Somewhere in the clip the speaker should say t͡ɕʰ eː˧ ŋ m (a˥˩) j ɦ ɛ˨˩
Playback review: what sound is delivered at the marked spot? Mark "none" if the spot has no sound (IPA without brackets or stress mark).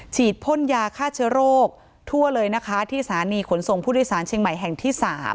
a˨˩